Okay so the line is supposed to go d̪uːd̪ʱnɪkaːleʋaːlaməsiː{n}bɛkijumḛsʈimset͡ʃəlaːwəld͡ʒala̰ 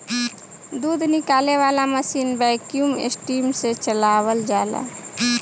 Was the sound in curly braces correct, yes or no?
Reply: yes